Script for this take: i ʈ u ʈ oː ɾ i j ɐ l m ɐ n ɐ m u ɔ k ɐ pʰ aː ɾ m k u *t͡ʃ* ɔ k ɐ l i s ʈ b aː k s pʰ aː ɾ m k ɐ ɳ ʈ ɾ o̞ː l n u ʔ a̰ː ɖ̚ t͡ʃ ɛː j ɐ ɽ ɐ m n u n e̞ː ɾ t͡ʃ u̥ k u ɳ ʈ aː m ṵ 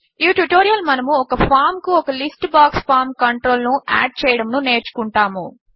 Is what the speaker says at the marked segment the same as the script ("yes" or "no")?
no